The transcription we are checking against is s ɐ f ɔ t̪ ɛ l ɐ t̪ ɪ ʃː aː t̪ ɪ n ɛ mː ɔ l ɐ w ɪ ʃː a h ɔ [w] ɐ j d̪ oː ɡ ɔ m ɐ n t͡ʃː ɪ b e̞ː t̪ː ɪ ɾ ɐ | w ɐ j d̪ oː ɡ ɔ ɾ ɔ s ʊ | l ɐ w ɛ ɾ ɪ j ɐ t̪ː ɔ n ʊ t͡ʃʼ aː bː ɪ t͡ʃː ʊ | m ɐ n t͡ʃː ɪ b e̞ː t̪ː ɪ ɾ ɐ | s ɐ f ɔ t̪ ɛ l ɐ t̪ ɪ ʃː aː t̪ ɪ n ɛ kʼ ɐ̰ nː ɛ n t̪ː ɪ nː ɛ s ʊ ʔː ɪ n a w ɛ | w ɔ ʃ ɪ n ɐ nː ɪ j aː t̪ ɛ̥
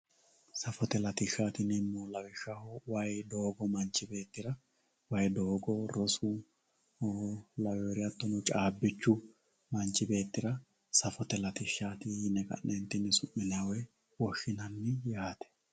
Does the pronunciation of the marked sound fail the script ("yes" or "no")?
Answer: no